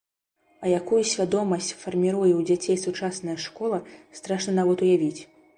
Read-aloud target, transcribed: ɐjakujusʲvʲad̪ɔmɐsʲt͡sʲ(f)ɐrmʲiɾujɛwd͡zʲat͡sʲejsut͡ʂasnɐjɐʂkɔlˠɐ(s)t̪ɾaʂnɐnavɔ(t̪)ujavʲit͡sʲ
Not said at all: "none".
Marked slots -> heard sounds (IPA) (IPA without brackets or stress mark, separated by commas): f, s, t̪